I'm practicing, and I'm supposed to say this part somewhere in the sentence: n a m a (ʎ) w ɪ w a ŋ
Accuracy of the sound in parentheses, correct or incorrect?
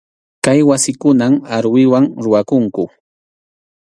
incorrect